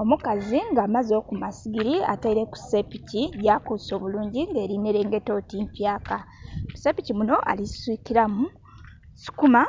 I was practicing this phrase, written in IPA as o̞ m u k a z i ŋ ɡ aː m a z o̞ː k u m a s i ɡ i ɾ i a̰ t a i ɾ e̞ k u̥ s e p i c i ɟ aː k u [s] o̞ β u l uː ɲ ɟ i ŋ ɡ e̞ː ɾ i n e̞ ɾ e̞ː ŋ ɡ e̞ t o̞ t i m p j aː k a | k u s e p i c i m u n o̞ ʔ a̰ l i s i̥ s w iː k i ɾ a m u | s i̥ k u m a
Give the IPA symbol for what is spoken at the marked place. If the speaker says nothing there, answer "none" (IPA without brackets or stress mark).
s